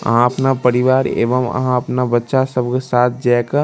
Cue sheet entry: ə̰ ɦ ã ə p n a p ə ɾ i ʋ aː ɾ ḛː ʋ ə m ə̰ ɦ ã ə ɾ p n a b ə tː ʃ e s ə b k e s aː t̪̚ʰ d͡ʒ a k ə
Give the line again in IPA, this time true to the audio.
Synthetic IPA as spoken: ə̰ ɦ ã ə p n a p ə ɾ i ʋ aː ɾ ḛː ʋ ə m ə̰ ɦ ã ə p n a b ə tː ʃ a s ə b k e s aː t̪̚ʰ d͡ʒ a k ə

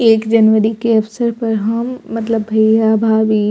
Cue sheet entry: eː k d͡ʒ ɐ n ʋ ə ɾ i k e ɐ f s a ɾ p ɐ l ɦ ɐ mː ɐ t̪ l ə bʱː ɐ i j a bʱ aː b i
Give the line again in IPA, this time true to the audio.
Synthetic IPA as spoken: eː k d͡ʒ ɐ n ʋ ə ɾ i k e ɐ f s ə ɾ p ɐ ɾ ɦ ɐ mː ɐ t̪ l ə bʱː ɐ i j a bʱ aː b i

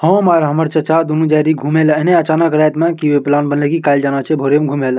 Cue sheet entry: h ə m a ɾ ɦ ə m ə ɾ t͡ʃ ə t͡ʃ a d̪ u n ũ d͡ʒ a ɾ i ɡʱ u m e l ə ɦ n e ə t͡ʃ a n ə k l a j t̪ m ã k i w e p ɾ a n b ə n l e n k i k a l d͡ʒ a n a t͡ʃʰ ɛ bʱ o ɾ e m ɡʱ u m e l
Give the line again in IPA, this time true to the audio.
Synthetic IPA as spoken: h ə m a ɾ ɦ ə m ə ɾ t͡ʃ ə t͡ʃ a d̪ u n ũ d͡ʒ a ɾ i ɡʱ u m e l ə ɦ n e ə t͡ʃ a n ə k ɾ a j t̪ m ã k i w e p l a n b ə n l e k i k a l d͡ʒ a n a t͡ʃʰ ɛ bʱ o ɾ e m ɡʱ u m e l

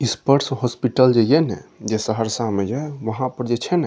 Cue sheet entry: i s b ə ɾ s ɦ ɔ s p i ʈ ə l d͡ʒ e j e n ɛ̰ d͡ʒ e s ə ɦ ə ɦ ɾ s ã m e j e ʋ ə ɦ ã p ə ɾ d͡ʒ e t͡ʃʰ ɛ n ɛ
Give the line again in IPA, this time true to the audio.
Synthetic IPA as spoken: i s p ə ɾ s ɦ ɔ s p i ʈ ə l d͡ʒ e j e n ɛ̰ d͡ʒ e s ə ɦ ə ɾ s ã m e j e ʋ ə ɦ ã p ə ɾ d͡ʒ e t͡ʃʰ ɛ n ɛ

